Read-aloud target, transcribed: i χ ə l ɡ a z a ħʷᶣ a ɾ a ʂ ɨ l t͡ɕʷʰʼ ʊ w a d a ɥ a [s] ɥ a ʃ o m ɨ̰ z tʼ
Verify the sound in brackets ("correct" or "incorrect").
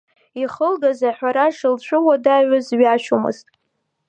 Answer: incorrect